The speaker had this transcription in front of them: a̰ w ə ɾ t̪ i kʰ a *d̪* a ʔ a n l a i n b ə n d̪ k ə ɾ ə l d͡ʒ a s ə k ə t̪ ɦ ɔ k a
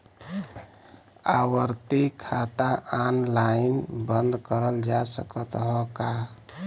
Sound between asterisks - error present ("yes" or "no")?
yes